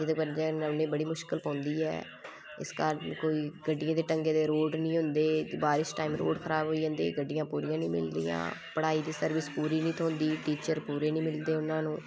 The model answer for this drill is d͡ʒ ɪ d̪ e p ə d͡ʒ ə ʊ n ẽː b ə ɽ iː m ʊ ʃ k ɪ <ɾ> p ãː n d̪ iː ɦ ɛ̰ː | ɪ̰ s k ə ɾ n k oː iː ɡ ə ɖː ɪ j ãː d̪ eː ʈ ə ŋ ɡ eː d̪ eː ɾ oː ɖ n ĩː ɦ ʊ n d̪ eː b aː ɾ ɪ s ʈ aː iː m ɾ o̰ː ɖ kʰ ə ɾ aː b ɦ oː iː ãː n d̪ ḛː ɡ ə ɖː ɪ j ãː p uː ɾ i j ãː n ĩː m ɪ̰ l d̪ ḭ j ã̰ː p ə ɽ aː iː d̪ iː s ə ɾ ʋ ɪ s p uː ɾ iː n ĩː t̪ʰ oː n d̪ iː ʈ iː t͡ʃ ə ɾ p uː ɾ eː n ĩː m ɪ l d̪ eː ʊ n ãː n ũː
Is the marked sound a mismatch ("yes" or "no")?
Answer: yes